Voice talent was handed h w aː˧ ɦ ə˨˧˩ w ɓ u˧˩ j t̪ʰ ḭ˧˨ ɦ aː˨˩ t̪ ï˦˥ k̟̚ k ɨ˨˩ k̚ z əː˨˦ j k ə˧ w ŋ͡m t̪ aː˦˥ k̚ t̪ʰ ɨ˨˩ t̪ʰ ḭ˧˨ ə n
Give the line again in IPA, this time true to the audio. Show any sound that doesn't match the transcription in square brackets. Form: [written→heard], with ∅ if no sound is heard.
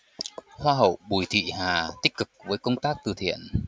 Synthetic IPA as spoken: h w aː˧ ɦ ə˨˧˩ w ɓ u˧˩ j t̪ʰ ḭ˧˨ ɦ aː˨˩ t̪ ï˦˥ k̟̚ k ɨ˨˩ k̚ [z→v] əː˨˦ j k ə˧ w ŋ͡m t̪ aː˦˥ k̚ [t̪ʰ→t̪] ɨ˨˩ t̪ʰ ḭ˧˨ ə n